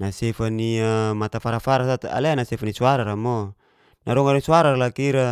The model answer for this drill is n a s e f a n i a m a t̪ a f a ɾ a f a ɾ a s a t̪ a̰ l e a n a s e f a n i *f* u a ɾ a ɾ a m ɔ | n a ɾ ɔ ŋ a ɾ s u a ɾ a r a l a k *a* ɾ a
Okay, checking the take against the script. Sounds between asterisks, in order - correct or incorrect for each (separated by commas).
incorrect, incorrect